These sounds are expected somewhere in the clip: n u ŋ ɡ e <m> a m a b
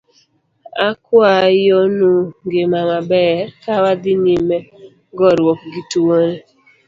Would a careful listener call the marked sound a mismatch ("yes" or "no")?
no